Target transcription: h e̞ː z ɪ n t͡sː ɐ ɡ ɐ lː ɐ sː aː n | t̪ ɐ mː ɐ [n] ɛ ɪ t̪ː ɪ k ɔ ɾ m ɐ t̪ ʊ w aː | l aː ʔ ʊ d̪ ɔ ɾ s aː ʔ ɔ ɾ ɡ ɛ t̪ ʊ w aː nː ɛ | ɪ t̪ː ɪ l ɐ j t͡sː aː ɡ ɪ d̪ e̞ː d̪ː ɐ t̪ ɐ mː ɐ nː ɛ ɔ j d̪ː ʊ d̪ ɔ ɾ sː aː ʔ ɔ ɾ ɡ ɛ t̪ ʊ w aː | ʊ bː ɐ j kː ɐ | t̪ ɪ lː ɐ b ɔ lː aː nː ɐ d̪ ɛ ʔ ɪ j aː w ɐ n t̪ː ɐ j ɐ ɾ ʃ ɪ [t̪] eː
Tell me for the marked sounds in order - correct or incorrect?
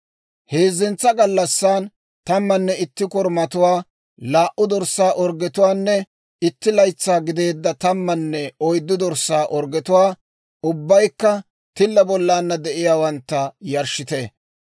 incorrect, correct

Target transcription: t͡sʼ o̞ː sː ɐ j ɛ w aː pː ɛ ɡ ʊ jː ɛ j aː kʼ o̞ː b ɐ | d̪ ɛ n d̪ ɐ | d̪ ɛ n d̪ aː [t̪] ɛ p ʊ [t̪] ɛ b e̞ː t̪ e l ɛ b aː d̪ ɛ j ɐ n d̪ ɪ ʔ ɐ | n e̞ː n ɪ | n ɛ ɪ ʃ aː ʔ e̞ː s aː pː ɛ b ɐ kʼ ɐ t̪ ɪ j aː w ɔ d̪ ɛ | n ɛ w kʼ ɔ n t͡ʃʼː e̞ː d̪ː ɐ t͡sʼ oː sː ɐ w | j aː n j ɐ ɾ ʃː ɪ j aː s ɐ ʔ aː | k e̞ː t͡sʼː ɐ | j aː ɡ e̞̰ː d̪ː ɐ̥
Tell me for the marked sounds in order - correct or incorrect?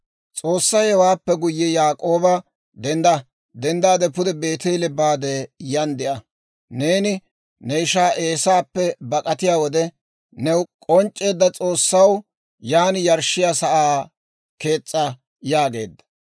incorrect, incorrect

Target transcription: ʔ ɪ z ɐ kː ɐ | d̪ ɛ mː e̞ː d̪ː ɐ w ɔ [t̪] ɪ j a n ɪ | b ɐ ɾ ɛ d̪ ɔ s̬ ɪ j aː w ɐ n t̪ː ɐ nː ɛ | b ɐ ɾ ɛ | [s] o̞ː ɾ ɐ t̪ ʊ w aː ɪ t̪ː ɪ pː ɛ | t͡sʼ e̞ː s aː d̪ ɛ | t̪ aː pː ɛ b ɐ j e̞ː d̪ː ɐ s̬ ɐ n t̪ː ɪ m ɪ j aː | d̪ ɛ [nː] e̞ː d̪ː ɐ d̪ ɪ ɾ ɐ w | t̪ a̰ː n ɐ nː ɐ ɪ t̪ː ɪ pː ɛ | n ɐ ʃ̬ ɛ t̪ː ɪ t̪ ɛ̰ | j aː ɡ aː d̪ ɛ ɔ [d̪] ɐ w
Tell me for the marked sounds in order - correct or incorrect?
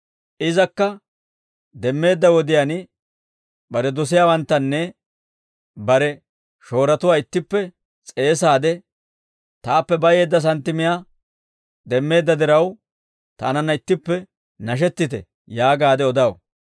incorrect, incorrect, incorrect, correct

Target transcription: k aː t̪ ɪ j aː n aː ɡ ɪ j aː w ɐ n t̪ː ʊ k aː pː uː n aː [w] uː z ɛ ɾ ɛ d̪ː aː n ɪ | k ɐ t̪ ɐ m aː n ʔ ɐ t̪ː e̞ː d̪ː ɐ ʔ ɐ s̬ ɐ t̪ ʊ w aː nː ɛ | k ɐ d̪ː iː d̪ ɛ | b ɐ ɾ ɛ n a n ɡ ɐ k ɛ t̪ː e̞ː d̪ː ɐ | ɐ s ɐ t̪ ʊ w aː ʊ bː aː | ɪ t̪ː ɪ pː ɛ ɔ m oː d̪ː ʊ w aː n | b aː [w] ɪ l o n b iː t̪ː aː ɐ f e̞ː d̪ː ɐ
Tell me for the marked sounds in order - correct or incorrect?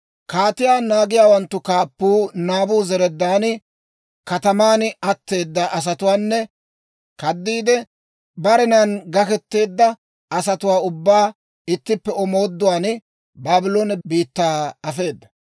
incorrect, incorrect

